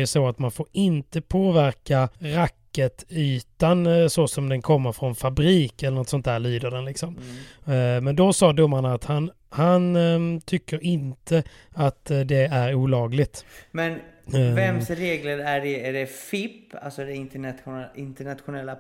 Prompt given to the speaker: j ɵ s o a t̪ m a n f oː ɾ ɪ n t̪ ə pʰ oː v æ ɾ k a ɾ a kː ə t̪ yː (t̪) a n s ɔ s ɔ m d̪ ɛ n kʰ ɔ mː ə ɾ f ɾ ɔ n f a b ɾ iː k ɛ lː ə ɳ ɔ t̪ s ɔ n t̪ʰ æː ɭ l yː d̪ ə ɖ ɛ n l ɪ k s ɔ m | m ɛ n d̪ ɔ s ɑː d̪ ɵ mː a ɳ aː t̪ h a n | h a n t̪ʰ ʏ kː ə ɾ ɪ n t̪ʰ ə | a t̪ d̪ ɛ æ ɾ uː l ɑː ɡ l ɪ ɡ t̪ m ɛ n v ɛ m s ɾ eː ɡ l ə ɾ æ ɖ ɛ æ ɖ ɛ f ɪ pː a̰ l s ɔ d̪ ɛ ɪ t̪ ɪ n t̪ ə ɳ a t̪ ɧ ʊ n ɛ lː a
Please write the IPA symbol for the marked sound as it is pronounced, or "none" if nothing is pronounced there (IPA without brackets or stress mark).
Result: t̪